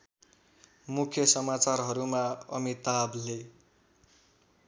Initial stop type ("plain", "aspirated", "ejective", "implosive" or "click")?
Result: aspirated